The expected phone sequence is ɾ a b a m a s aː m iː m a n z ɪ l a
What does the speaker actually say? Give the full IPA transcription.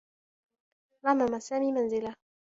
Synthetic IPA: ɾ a m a m a s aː m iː m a n z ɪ l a

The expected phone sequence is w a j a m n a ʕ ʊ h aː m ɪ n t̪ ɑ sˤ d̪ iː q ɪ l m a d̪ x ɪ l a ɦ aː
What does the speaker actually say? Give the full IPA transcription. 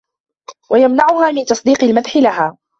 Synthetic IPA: w a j a m n a ʕ ʊ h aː m ɪ n t̪ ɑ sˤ d̪ iː q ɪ l m a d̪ ħ ɪ l a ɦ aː

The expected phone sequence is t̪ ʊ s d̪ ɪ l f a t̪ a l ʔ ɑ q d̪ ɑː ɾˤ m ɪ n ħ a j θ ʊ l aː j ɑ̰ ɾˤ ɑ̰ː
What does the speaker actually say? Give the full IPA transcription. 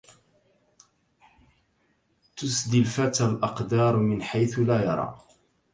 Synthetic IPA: t̪ ʊ s d̪ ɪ l f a t̪ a l ʔ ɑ q d̪ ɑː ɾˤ m ɪ n ħ a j θ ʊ l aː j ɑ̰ ɾˤ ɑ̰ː

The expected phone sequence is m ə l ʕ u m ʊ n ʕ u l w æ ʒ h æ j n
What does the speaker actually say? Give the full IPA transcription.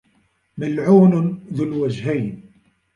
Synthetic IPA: m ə l ʕ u n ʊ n ð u l w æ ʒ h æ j n

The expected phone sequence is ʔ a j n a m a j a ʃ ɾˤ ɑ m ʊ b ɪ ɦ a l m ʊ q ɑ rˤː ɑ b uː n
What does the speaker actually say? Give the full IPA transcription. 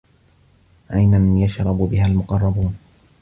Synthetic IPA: ʔ a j n a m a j a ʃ ɾˤ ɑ b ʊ b ɪ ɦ a l m ʊ q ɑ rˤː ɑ b uː n

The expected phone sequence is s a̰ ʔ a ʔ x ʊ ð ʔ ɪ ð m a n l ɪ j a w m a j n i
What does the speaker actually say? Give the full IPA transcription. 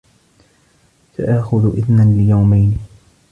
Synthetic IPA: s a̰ ʔ a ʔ x ʊ ð ʔ ɪ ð n a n l ɪ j a w m a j n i

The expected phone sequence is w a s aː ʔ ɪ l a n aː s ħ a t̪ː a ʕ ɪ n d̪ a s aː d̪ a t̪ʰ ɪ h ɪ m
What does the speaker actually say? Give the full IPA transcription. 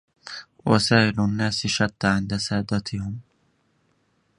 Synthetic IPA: w a s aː ʔ ɪ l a nː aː s ʃ a t̪ː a ʕ ɪ n d̪ a s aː d̪ a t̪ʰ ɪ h ɪ m

